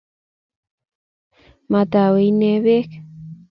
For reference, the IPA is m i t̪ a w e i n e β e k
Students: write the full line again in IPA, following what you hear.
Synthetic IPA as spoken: m a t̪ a w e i n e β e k